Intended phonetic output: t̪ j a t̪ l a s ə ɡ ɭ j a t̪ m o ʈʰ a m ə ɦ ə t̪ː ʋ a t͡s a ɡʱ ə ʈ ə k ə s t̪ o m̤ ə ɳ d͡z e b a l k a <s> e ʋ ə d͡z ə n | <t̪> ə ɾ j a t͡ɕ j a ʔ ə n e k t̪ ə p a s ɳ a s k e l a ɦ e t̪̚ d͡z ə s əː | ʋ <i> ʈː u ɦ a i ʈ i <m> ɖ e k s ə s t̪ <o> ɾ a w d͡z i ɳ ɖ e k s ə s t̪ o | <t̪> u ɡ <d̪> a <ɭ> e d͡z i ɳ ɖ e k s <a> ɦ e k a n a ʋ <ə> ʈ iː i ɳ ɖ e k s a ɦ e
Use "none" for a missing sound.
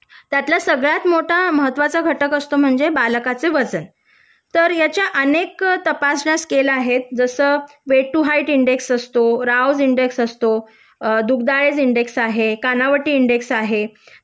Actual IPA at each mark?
t͡s, t̪, e, ɳ, o, d̪, d̪, ɭ, a, ə

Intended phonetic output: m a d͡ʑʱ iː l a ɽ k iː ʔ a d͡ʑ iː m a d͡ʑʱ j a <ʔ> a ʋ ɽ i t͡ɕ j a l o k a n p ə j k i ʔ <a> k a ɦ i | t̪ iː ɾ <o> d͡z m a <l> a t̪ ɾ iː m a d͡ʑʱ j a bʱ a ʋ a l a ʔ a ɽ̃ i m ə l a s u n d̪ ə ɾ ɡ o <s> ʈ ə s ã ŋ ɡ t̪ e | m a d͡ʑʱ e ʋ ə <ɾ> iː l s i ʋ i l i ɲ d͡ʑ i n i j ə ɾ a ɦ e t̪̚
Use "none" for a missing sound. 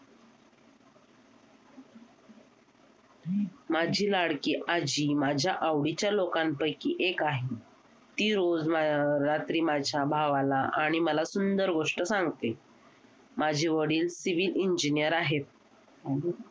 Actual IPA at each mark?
ʔ, e, o, ɾ, ʂ, ɽ

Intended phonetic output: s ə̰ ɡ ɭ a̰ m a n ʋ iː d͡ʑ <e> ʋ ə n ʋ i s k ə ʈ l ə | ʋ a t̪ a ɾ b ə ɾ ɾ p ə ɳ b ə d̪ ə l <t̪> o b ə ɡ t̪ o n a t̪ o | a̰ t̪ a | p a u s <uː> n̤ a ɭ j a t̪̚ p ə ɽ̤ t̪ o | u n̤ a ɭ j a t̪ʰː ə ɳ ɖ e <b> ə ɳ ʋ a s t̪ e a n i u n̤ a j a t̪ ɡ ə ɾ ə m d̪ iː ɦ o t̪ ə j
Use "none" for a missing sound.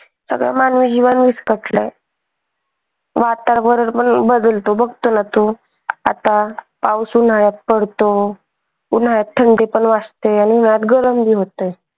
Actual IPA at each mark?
i, t̪, u, p

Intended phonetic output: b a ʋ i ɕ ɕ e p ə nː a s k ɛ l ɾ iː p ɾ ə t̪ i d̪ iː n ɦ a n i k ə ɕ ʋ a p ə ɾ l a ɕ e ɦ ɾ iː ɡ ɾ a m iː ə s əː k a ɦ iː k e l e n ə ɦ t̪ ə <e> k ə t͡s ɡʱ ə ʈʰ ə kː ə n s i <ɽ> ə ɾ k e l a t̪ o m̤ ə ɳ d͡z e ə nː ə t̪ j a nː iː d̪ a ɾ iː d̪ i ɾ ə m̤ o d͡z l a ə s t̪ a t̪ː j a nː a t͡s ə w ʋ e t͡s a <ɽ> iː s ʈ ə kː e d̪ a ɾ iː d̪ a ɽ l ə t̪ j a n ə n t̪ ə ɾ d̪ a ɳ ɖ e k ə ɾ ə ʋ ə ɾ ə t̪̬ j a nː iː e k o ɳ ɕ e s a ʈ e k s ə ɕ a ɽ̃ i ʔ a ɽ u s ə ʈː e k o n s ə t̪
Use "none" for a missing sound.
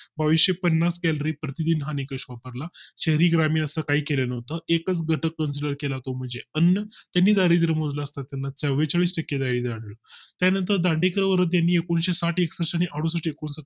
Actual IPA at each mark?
e, l, ɭ

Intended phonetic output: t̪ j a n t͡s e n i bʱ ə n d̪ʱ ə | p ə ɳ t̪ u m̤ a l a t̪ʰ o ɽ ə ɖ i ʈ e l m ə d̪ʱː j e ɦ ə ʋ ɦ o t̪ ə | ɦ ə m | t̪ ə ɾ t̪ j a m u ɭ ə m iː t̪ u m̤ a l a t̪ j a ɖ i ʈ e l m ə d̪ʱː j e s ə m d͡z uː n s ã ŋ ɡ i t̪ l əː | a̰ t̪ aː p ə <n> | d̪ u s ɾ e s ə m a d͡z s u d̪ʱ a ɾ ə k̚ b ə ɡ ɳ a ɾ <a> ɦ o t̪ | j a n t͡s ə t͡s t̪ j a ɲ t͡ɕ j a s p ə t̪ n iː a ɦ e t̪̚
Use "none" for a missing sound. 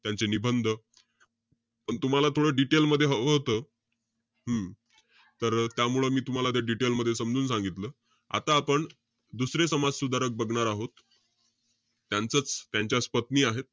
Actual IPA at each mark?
ɳ, a

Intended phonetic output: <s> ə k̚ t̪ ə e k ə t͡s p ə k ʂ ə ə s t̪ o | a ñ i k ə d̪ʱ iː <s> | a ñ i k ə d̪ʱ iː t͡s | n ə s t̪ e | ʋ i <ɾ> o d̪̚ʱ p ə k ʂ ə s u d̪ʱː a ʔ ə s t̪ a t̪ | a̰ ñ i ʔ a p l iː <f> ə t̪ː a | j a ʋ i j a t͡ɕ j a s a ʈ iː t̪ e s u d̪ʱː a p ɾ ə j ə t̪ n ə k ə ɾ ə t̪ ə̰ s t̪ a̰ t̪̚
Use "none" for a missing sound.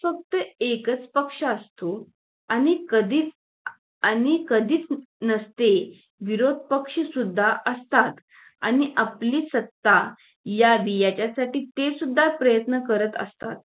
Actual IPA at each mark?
f, t͡s, ɾ, s

